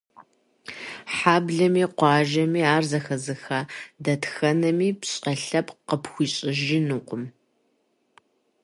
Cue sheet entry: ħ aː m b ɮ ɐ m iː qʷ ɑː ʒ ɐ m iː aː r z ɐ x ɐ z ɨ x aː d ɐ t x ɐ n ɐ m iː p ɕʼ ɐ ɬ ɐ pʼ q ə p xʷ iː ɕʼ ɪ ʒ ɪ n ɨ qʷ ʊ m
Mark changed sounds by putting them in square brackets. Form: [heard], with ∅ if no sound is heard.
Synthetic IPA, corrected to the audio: ħ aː [∅] b ɮ ɐ m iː qʷ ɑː ʒ ɐ m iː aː r z ɐ x ɐ z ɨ x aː d ɐ t x ɐ n ɐ m iː p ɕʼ ɐ ɬ ɐ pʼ q ə p xʷ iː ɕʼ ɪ ʒ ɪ n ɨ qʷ ʊ m

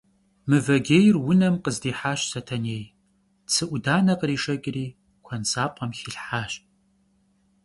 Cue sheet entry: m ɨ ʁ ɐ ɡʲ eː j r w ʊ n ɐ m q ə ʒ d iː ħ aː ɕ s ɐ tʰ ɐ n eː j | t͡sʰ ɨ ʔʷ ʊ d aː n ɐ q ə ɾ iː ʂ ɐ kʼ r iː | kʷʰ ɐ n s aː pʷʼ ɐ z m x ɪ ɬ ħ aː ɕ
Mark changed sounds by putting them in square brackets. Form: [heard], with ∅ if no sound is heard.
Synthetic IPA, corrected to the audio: m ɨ [v] ɐ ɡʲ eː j r w ʊ n ɐ m q ə [z] d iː ħ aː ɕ s ɐ tʰ ɐ n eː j | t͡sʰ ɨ ʔʷ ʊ d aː n ɐ q ə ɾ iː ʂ ɐ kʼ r iː | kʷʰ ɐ n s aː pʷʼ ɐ [∅] m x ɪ ɬ ħ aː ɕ

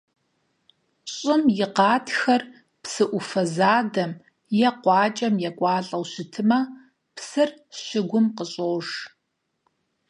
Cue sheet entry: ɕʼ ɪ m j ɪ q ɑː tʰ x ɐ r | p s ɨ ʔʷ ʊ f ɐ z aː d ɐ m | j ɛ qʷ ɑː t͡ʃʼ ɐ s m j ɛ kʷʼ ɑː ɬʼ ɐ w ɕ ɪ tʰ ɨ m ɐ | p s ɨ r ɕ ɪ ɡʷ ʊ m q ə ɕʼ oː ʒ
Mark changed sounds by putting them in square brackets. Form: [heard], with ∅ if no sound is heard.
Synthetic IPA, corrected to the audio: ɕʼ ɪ m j ɪ q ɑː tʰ x ɐ r | p s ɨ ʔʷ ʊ f ɐ z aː d ɐ m | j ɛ qʷ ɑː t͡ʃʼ ɐ [∅] m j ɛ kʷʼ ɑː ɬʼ ɐ w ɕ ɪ tʰ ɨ m ɐ | p s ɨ r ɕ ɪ ɡʷ ʊ m q ə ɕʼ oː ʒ

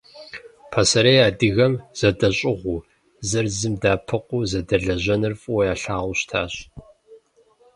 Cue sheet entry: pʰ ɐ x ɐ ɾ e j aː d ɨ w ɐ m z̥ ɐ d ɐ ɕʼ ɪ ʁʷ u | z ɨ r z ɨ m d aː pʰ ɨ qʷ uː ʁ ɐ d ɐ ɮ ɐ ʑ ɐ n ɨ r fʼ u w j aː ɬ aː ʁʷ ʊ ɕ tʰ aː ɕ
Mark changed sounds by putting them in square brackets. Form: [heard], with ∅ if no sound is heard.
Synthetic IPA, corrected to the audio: pʰ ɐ [s] ɐ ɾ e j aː d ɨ [ɣ] ɐ m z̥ ɐ d ɐ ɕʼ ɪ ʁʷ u | z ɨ r z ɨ m d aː pʰ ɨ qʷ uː [z] ɐ d ɐ ɮ ɐ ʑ ɐ n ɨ r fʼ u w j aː ɬ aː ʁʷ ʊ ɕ tʰ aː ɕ

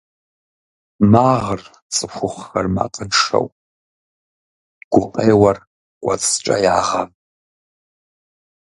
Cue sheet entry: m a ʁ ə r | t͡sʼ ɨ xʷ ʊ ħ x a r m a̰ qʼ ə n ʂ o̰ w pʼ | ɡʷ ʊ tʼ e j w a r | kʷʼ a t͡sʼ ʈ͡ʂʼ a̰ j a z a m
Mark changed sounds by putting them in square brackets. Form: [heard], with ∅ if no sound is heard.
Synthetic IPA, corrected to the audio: m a ʁ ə r | t͡sʼ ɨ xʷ ʊ [χ] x a r m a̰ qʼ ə n ʂ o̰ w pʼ | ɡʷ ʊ [qʼ] e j w a r | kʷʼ a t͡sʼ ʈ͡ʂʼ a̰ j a [ʁ] a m

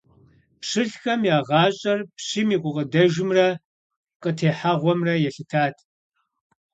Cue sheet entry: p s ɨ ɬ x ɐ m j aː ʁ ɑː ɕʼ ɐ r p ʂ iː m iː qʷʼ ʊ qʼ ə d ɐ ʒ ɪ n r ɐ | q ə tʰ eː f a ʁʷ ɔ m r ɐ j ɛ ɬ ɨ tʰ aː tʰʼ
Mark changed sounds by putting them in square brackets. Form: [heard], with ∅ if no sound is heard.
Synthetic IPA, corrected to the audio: p [ʂ] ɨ ɬ x ɐ m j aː ʁ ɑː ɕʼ ɐ r p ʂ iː m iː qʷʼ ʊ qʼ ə d ɐ ʒ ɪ [m] r ɐ | q ə tʰ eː [ħ] a ʁʷ ɔ m r ɐ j ɛ ɬ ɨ tʰ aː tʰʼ

